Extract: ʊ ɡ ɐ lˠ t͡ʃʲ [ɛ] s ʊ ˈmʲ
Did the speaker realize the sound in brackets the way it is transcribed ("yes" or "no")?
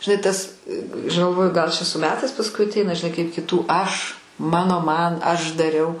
yes